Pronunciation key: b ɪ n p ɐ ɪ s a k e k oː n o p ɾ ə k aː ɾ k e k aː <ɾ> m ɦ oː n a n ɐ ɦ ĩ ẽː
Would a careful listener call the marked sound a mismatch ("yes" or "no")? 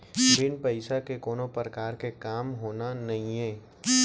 yes